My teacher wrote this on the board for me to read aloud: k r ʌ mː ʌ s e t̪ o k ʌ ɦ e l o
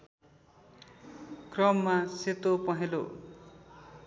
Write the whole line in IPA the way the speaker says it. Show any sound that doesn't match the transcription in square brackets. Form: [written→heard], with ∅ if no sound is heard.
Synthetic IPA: k r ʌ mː [ʌ→a] s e t̪ o [k→p] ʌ ɦ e l o